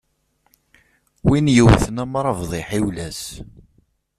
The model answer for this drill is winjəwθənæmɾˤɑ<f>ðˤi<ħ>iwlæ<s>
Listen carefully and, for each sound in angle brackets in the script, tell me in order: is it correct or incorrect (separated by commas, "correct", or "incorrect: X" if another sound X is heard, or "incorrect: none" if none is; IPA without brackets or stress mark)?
incorrect: v, correct, correct